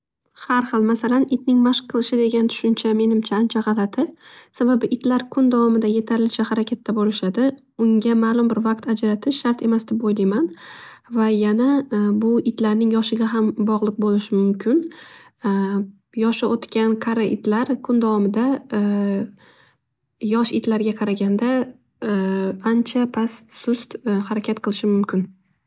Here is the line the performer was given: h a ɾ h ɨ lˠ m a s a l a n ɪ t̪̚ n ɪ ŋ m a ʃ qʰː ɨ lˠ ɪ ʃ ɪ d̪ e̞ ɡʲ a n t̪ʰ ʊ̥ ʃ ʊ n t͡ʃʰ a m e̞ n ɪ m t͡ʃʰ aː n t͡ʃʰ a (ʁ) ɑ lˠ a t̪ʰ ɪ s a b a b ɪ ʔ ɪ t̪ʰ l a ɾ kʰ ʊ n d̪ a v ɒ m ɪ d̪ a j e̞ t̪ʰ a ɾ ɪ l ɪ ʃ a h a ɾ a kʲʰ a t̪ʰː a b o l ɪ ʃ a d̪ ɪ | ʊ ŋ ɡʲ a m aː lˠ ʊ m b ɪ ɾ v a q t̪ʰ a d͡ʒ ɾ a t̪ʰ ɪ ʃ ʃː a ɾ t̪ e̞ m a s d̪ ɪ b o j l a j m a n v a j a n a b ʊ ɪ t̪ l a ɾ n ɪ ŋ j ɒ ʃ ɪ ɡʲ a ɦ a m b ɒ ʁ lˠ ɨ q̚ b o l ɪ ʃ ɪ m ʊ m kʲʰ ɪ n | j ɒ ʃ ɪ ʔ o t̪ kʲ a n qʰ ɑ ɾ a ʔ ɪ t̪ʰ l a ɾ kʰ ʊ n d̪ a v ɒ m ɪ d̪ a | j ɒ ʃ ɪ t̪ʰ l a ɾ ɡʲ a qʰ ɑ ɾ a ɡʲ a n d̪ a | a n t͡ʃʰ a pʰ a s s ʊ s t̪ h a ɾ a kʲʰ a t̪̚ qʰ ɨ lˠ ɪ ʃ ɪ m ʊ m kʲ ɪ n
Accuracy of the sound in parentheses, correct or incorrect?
correct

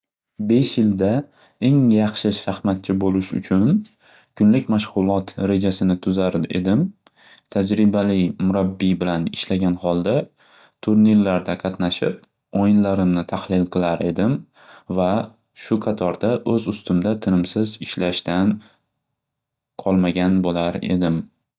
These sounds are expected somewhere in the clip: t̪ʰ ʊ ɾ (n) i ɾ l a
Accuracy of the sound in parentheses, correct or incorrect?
correct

